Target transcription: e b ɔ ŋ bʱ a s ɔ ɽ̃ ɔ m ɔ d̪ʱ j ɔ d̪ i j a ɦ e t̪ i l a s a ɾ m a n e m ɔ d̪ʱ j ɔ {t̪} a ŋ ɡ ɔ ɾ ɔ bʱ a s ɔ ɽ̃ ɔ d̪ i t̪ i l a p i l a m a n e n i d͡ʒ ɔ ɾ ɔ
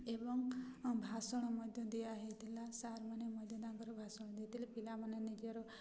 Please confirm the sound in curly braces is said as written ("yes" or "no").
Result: no